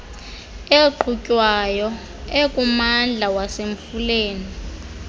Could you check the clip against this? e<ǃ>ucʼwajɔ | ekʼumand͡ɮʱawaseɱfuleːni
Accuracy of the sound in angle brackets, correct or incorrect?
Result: correct